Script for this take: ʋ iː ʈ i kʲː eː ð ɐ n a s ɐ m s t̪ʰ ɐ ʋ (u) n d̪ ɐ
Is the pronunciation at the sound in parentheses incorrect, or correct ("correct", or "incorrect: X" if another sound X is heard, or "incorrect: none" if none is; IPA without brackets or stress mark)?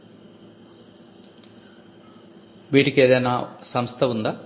correct